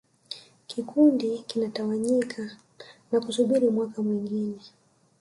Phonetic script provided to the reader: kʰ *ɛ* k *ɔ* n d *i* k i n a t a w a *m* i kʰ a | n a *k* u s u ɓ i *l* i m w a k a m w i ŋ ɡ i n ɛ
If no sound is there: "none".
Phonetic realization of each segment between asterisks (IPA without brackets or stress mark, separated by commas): i, u, i, ɲ, k, ɾ